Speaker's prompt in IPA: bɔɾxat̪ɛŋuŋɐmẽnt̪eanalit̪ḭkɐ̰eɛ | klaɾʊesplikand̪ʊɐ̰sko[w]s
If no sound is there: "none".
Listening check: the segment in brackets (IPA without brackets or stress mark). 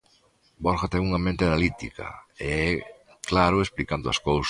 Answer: w